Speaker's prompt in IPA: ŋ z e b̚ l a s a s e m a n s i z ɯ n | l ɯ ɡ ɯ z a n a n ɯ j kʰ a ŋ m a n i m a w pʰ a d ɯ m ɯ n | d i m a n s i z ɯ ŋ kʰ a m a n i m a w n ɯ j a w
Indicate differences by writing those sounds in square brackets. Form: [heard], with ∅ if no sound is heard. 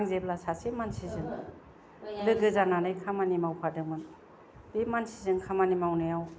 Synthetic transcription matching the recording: ŋ z e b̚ l a s a s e m a n s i z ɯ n | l ɯ ɡ ɯ z a n a n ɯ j kʰ a [∅] m a n i m a w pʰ a d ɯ m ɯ n | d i m a n s i z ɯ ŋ kʰ a m a n i m a w n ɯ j a w